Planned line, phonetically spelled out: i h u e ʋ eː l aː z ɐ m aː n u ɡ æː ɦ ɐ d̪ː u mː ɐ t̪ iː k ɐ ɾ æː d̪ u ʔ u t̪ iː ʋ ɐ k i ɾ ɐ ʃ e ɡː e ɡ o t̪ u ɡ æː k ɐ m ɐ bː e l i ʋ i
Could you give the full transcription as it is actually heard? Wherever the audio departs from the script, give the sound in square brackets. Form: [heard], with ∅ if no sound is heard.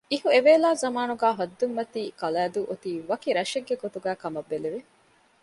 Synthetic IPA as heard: i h u e ʋ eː l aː z ɐ m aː n u ɡ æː ɦ ɐ d̪ː u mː ɐ t̪ iː k ɐ [l] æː d̪ u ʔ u t̪ iː ʋ ɐ k i ɾ ɐ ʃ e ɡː e ɡ o t̪ u ɡ æː k ɐ m ɐ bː e l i ʋ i